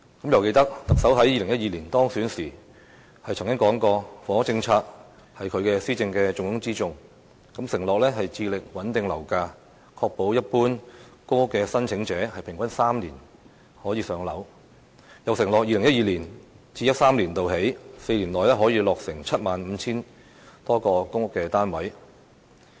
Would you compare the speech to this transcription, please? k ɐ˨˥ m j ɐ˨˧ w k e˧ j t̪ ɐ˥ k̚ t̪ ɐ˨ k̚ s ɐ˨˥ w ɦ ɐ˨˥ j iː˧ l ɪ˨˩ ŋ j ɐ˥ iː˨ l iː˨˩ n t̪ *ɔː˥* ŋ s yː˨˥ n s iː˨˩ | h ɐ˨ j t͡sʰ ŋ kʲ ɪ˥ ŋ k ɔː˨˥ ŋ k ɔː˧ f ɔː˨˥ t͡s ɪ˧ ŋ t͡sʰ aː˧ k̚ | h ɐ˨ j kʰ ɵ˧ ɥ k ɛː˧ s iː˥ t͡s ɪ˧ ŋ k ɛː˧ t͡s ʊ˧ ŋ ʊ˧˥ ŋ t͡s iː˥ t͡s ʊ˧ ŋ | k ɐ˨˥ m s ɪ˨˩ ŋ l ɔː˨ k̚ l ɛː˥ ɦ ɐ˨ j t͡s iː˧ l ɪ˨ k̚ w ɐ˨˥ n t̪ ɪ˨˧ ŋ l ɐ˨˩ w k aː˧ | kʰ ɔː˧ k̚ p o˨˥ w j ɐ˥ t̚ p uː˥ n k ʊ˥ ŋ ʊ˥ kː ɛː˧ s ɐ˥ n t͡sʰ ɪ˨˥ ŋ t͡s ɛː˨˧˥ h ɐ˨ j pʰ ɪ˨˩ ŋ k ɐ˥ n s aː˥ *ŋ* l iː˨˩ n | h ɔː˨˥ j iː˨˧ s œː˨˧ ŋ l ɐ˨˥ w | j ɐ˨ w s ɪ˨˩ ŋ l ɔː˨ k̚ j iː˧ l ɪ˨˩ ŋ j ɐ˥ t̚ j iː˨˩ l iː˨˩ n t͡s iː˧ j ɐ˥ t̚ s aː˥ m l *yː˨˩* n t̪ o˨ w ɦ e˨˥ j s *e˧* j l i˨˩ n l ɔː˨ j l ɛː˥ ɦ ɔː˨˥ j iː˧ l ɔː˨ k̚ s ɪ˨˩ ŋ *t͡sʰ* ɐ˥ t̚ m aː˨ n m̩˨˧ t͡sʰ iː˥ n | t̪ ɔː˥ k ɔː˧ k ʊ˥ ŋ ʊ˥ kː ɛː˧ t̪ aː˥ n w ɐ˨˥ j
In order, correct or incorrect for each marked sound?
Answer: correct, incorrect: m, incorrect: iː˨˩, correct, correct

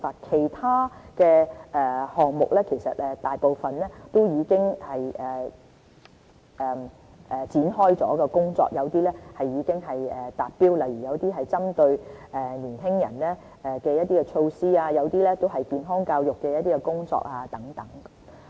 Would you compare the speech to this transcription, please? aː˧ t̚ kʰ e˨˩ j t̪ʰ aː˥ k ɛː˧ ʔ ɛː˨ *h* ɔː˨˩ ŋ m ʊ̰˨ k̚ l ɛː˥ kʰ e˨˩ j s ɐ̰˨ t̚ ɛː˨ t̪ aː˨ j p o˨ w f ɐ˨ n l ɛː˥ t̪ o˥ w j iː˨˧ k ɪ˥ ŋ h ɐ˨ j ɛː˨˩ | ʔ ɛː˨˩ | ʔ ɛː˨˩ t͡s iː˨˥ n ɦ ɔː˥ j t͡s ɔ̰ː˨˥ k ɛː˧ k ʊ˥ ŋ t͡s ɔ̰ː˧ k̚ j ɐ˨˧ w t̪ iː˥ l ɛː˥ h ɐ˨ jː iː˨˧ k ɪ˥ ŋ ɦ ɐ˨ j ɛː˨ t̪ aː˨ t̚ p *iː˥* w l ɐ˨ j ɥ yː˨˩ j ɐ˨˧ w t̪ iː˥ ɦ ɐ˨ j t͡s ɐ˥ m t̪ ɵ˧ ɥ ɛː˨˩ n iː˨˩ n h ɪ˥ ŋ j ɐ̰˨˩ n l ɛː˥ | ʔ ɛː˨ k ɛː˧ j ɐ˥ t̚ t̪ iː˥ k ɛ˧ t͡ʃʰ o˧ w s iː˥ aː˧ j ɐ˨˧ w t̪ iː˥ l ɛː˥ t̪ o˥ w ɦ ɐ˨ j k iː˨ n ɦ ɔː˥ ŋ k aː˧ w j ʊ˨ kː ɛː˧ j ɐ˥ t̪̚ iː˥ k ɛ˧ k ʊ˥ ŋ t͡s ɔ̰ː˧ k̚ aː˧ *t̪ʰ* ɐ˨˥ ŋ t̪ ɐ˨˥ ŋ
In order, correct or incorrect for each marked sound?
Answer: correct, correct, incorrect: t̪

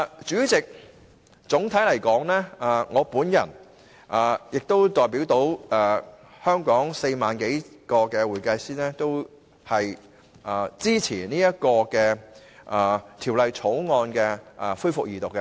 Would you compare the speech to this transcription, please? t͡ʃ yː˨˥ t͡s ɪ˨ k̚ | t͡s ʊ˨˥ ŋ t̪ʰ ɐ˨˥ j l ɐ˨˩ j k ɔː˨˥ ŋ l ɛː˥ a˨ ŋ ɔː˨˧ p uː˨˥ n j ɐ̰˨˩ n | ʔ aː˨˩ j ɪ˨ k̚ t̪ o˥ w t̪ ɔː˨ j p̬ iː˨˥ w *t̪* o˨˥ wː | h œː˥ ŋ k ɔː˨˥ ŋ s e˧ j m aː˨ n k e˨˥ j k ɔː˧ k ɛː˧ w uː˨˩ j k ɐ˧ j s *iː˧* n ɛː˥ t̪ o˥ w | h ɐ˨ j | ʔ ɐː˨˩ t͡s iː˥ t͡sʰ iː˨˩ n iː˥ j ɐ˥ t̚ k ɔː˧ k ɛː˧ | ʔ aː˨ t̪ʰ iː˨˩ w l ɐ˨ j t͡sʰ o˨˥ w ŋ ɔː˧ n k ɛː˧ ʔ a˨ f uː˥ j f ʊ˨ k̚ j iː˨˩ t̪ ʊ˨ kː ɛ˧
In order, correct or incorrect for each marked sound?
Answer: correct, incorrect: iː˥

